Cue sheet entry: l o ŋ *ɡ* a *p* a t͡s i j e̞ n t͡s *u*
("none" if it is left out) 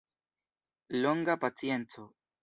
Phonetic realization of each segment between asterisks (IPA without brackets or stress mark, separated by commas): ɡ, p, o